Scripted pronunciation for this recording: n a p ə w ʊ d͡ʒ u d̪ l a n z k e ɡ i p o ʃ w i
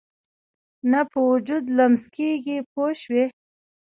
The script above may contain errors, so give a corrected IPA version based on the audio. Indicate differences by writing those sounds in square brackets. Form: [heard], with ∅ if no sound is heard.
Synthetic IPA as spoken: n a p ə w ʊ d͡ʒ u d̪ l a [m] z k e ɡ i p o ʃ w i

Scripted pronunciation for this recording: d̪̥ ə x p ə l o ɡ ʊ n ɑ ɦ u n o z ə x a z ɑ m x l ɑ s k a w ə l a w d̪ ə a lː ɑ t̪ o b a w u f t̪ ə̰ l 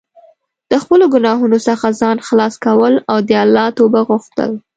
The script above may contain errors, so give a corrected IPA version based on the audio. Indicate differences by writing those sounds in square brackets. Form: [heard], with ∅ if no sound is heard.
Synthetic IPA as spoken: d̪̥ ə x p ə l o ɡ ʊ n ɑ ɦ u n o [s] ə x a z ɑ [n] x l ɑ s k a w ə l a w d̪ ə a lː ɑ t̪ o b a [ɣ] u [x] t̪ ə̰ l

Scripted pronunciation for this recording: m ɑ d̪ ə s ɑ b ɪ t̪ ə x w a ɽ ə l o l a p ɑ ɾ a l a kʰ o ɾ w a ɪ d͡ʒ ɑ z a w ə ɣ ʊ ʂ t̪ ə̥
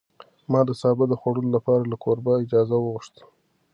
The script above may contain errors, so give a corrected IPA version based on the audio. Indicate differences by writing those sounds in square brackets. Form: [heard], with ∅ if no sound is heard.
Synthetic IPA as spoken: m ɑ d̪ ə s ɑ b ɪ [d̪] ə x w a ɽ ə l o l a p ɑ ɾ a l a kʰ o ɾ [b] a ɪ d͡ʒ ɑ z a w ə ɣ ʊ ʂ t̪ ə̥

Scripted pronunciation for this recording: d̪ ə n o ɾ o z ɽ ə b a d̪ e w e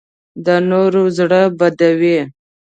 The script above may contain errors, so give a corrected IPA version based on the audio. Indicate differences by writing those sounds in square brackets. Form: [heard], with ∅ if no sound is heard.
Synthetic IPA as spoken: d̪ ə n o ɾ o z ɽ ə b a d̪ [a] w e

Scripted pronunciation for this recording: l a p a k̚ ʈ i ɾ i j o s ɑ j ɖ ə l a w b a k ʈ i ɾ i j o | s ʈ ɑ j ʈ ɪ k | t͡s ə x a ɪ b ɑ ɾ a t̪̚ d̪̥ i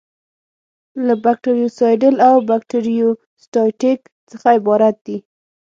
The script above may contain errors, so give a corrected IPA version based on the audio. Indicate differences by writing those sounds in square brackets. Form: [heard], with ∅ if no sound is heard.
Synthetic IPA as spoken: l a [b] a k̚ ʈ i ɾ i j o s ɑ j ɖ ə l a w b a k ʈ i ɾ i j o | s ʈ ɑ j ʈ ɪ k | t͡s ə x a ɪ b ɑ ɾ a t̪̚ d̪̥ i

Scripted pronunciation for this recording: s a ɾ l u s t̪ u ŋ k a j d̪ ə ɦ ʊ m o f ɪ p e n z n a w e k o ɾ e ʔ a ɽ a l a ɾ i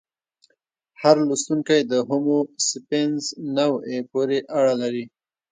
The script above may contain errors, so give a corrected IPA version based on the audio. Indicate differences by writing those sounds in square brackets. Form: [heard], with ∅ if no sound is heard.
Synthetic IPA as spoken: [h] a ɾ l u s t̪ u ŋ k a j d̪ ə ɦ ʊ m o [s] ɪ p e n z n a w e [p] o ɾ e ʔ a ɽ a l a ɾ i

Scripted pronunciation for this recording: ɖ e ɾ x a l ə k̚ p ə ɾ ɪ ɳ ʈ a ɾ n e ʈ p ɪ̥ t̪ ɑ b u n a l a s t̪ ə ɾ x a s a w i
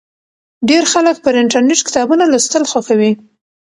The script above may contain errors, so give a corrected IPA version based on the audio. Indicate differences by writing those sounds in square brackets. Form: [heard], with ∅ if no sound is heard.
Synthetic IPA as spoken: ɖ e ɾ x a l ə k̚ p ə ɾ ɪ ɳ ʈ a ɾ n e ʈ [k] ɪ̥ t̪ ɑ b u n a l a s t̪ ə [l] x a [x] a w i

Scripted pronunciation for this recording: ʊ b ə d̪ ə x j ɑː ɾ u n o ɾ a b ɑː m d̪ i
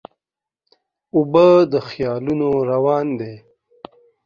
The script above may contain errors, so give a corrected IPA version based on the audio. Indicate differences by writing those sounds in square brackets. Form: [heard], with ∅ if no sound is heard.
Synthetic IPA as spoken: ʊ b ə d̪ ə x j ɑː [l] u n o ɾ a [w] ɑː [n] d̪ [e]

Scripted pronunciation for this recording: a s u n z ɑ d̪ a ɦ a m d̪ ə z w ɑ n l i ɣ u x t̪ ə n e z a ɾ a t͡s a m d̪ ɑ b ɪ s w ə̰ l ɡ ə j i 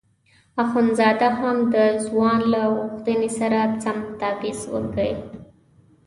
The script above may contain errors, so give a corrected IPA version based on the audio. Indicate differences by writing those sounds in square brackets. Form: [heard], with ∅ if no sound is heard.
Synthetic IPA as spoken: a [x] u n z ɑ d̪ a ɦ a m d̪ ə z w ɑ n l [a] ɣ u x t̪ ə n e [s] a ɾ a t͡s a m [t̪] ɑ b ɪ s w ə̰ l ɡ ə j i

